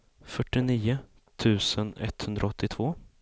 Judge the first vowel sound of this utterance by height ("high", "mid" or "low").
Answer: mid